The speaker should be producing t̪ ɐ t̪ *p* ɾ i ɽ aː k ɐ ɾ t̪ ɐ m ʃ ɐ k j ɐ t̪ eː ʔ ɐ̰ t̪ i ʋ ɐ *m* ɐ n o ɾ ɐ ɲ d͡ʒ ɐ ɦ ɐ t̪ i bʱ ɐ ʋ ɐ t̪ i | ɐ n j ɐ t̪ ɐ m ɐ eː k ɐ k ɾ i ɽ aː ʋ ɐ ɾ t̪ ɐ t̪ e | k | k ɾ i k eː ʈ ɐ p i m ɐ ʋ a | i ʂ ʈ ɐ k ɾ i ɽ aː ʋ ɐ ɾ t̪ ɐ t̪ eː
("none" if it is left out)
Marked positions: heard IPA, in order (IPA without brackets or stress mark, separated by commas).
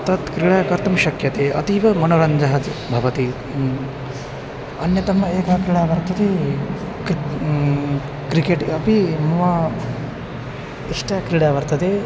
k, m